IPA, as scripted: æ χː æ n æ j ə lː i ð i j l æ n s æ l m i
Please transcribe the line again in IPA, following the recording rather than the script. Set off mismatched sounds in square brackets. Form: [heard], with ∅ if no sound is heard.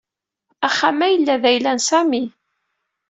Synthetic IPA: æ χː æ [m] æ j ə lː [æ] ð [æ] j l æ n s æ [∅] m i

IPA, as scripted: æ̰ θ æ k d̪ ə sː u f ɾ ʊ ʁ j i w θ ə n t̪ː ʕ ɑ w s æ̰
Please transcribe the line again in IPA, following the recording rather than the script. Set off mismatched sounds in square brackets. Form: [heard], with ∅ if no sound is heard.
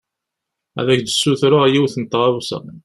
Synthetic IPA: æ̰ [ð] æ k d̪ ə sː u [θ] ɾ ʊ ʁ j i w θ ə n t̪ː [ʁ] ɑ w s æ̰

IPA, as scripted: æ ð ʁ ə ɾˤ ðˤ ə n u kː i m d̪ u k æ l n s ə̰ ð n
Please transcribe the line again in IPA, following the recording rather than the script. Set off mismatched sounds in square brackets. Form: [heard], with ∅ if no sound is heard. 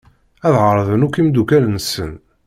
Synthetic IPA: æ ð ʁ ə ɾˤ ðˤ ə n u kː i m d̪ u k æ l n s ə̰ [∅] n

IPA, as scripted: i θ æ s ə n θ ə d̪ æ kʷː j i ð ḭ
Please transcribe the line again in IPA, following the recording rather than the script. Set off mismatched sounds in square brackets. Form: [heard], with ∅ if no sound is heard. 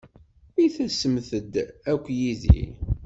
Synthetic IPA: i θ æ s ə [m] θ ə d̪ æ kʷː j i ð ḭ

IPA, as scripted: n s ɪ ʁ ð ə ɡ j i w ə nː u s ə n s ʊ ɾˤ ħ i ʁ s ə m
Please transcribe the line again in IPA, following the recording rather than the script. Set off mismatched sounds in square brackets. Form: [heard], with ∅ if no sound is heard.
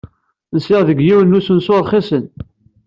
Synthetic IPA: n s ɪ ʁ ð ə ɡ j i w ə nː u s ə n s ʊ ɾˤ [χ] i [∅] s ə [n]

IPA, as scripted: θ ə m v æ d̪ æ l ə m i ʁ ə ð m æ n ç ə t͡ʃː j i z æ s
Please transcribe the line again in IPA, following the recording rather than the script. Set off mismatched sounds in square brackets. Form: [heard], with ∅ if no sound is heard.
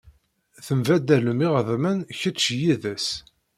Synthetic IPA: θ ə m v æ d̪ æ l ə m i ʁ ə ð m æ n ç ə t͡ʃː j i [ð] æ s

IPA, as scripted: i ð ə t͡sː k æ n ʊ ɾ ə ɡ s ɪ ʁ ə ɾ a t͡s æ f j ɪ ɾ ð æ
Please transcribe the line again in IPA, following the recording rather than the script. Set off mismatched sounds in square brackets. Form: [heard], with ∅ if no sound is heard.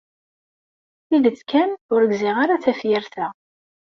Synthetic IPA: i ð ə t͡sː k æ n ʊ ɾ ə ɡ [z] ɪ ʁ [a] ɾ a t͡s æ f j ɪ ɾ [θ] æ

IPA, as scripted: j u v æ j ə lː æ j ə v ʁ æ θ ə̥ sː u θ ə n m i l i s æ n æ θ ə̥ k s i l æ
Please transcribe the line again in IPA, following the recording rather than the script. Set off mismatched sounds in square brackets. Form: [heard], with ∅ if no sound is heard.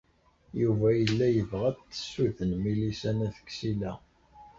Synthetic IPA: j u v æ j ə lː æ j ə v ʁ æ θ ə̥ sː u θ ə n m i l i s æ n æ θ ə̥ k s i l æ

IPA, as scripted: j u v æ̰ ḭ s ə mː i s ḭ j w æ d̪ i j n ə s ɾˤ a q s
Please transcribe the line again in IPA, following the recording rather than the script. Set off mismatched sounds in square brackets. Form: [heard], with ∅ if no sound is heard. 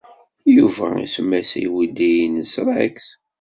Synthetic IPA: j u v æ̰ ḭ s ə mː [æ] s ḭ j w [i] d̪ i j n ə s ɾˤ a [k] s

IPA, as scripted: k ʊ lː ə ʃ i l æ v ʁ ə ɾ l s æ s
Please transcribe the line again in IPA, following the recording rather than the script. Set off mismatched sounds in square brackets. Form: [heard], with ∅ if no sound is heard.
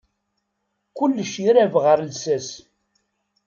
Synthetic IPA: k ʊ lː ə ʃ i [ɾ] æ v ʁ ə ɾ l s æ s

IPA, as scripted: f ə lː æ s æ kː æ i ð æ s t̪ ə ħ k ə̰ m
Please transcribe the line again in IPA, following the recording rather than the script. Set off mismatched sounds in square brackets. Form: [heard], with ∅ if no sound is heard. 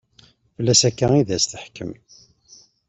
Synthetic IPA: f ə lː æ s æ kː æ i ð æ s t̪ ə ħ k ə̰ m

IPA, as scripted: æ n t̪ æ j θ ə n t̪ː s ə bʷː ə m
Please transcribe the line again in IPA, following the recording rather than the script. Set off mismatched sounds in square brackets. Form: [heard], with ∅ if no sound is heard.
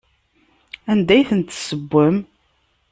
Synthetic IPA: æ n [d̪] æ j θ ə n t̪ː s ə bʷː ə m

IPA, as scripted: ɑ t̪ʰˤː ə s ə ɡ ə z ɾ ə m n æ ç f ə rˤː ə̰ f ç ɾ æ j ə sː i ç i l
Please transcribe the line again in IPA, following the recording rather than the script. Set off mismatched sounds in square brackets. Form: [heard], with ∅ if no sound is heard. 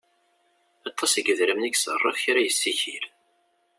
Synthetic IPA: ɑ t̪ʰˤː [ɑ] s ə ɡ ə [ð] ɾ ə m n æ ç [s] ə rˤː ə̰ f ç ɾ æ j ə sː i ç i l

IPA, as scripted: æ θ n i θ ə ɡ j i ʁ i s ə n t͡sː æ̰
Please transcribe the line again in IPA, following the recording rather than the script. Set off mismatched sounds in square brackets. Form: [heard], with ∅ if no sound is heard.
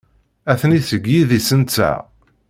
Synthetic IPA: æ θ n i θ ə ɡ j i [ð] i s ə n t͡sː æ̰

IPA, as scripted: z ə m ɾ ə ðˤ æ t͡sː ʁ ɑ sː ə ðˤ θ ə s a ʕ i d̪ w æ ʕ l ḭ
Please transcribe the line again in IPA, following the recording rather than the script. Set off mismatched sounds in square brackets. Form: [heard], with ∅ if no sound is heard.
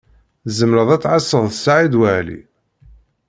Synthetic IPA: z ə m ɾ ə ðˤ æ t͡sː [ʕ] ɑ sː ə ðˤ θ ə s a ʕ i d̪ w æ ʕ l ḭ

